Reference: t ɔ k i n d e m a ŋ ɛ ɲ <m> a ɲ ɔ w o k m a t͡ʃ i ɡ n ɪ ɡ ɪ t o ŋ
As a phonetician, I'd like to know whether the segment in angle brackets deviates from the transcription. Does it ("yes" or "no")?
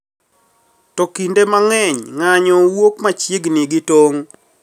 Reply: yes